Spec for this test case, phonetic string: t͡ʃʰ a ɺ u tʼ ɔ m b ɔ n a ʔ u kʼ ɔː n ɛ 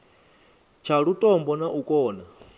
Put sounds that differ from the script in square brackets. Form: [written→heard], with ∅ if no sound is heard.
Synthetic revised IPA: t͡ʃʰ a ɺ u tʼ ɔ m b ɔ n a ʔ u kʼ ɔː n [ɛ→a]